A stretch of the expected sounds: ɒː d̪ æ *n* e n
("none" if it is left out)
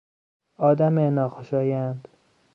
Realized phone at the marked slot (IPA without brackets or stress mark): m